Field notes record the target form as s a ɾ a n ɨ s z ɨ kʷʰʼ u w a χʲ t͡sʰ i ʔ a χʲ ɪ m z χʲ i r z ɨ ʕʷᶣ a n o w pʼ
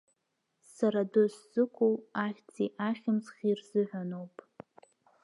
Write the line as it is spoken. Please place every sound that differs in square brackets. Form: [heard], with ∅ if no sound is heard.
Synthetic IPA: s a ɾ a [d] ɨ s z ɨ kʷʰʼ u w a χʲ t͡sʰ i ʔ a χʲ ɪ m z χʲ i r z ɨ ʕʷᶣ a n o w pʼ